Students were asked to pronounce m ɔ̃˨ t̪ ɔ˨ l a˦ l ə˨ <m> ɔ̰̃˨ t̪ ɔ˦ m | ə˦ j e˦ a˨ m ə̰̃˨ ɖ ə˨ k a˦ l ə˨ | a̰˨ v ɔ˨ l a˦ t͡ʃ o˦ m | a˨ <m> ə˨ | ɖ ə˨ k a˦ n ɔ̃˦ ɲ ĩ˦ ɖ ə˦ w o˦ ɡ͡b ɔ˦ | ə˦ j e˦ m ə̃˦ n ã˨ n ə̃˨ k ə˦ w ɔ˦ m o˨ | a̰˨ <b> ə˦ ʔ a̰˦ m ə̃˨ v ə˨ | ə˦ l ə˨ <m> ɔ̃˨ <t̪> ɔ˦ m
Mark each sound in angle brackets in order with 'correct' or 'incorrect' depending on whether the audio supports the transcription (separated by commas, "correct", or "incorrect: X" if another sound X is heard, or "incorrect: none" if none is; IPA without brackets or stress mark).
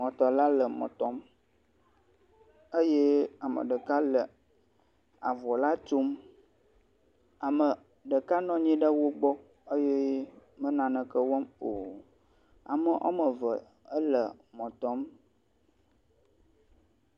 correct, correct, incorrect: m, correct, correct